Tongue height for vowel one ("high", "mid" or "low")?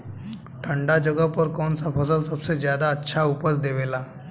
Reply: mid